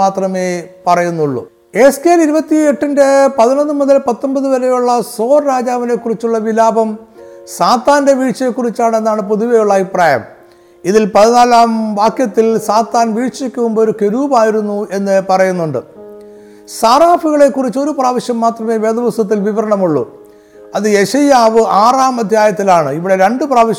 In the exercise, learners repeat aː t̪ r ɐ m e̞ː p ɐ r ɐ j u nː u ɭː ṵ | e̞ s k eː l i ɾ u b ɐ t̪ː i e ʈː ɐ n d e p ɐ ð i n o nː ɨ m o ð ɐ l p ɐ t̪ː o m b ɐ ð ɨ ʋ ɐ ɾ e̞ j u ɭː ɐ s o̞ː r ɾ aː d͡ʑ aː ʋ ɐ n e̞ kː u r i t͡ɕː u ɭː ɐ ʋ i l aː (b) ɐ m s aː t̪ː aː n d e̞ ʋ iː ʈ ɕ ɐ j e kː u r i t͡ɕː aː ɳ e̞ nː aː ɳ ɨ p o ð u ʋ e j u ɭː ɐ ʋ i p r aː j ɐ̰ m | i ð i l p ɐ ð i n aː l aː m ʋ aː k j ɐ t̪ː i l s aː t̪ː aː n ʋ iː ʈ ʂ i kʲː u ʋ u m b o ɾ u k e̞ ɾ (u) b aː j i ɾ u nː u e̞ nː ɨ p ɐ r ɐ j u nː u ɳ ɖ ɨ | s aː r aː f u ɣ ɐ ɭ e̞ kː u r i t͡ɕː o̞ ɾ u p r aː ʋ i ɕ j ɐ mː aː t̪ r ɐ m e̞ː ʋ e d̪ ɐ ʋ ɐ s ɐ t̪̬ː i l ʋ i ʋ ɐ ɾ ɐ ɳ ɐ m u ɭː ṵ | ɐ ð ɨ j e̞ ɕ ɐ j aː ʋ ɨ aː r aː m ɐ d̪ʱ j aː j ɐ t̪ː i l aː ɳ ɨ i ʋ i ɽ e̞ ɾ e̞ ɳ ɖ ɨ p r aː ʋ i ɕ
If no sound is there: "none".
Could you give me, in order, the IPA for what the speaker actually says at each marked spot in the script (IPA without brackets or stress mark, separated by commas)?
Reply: b, uː